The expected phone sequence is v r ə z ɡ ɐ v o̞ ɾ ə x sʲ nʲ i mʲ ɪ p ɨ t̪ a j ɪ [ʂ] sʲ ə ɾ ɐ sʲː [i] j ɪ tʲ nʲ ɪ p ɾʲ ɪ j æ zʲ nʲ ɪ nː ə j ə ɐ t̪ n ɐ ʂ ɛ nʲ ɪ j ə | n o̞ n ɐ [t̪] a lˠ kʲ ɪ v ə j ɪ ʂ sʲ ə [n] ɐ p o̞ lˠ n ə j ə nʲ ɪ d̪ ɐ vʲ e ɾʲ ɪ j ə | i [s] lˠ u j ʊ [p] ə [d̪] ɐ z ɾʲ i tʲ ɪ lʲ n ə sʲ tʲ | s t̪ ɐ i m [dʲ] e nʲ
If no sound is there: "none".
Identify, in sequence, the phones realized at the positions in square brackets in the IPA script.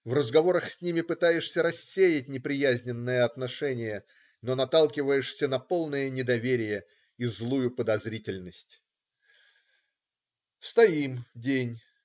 ʂ, e, t̪, n, z, p, d̪, dʲ

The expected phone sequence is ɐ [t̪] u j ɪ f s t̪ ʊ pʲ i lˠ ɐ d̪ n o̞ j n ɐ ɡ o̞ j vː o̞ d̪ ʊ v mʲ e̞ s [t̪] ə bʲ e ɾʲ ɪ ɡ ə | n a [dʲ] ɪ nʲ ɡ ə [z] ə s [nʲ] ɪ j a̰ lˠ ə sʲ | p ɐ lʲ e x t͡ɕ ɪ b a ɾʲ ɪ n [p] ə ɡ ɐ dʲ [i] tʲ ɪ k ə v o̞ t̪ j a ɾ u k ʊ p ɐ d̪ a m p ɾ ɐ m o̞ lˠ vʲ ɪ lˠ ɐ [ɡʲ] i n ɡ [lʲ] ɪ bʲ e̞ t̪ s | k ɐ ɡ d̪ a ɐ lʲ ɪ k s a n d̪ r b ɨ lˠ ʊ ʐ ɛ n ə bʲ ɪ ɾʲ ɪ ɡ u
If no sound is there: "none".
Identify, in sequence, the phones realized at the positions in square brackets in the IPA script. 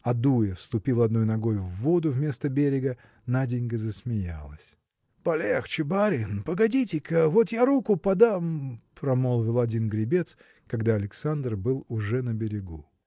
d̪, t̪, dʲ, z, mʲ, p, i, dʲ, ɾʲ

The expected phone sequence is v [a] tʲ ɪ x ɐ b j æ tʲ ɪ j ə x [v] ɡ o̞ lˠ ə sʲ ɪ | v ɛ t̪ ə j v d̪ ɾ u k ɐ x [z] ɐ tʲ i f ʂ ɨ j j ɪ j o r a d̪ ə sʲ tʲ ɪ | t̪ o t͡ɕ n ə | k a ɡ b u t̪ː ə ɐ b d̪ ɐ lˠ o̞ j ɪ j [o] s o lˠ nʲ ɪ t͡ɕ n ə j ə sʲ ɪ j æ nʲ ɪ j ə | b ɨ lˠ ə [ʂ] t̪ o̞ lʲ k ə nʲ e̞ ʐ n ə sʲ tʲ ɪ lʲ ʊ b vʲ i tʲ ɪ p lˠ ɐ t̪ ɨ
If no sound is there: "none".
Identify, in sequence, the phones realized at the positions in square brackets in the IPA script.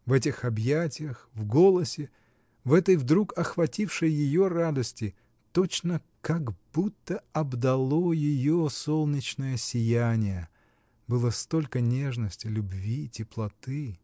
ɛ, v, v, o, s

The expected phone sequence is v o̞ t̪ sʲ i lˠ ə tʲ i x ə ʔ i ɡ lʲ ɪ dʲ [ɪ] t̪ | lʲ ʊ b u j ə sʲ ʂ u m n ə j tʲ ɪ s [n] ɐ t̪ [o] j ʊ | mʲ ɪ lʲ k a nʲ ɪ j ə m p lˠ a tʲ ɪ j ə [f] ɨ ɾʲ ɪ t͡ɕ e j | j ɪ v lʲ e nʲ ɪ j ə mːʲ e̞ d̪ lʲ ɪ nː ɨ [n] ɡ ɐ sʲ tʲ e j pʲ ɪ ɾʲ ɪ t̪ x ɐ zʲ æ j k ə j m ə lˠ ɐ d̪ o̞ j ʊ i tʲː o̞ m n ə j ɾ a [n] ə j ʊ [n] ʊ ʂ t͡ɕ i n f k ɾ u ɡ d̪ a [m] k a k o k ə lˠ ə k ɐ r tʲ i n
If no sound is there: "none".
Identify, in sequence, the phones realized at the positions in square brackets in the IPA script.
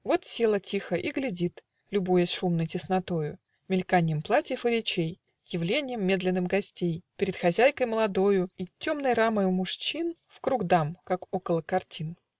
i, n, o, f, m, m, m, m

